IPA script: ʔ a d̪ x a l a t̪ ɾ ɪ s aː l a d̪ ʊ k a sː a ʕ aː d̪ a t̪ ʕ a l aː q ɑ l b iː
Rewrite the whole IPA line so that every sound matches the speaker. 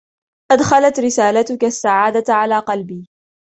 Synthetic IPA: ʔ a d̪ x a l a t̪ ɾ ɪ s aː l a t̪ ʊ k a sː a ʕ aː d̪ a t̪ ʕ a l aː q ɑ l b iː